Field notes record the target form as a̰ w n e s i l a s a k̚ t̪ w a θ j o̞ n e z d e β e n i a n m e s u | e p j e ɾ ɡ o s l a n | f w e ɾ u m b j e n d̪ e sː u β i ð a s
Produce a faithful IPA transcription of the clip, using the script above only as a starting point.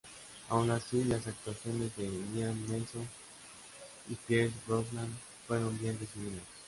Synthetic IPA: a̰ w n a s i l a s a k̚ t̪ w a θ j o̞ n e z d e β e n i a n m e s o | i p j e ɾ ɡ o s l a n | f w e ɾ o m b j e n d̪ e s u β i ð a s